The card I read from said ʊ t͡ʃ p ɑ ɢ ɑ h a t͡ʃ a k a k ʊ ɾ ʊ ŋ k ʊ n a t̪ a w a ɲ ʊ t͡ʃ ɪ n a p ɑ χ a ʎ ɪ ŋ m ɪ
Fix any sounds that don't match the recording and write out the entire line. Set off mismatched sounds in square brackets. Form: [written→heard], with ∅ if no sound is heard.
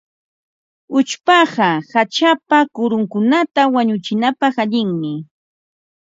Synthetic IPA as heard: ʊ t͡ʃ p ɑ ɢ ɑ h a t͡ʃ a [k→p] a k ʊ ɾ ʊ ŋ k ʊ n a t̪ a w a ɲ ʊ t͡ʃ ɪ n a p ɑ χ a ʎ ɪ ŋ m ɪ